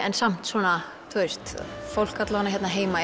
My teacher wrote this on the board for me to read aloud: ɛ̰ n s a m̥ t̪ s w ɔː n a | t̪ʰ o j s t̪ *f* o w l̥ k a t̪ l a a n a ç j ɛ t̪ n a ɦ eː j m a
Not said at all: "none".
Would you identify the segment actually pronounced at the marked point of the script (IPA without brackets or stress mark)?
f